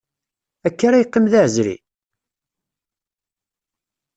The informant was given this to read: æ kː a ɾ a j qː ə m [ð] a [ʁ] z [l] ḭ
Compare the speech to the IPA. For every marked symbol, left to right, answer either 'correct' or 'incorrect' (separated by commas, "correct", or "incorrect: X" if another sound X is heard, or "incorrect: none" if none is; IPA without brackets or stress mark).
correct, incorrect: ʕ, incorrect: ɾ